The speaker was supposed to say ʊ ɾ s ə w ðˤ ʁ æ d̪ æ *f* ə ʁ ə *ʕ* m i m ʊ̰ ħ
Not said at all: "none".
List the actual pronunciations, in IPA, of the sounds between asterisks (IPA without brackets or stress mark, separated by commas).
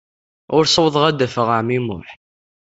f, ʕ